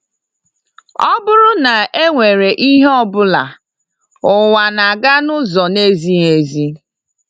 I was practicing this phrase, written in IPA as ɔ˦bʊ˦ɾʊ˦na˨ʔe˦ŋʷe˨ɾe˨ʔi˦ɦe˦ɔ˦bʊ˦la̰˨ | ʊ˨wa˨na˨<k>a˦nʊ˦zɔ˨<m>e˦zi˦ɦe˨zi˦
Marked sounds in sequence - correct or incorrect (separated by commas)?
incorrect, incorrect